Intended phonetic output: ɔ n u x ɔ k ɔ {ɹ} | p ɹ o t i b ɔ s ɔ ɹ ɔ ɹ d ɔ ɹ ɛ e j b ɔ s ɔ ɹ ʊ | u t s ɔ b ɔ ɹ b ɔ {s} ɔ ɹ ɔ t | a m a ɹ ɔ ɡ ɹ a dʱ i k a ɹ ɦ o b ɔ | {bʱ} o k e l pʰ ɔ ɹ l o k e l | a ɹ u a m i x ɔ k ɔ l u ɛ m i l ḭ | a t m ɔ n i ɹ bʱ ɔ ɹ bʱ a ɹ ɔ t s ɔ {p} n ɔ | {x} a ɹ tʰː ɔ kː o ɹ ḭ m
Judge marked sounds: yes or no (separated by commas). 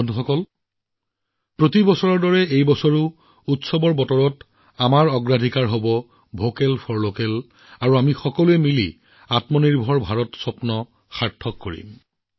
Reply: no, no, yes, yes, yes